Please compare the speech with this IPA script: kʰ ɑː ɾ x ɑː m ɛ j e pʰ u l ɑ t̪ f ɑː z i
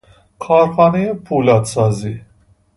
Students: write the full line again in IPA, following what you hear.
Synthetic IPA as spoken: kʰ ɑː ɾ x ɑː n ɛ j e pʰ u l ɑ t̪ s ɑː z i